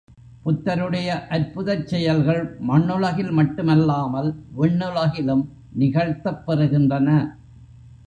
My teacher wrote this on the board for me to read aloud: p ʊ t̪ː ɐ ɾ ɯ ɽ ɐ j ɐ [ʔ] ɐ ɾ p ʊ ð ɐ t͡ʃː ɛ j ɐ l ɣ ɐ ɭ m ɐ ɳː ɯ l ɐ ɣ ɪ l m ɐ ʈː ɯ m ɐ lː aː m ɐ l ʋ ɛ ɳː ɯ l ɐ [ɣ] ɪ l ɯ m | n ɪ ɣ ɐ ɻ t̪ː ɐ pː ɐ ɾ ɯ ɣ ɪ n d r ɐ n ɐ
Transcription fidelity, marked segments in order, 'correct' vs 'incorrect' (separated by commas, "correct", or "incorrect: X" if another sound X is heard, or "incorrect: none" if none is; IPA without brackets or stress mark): correct, correct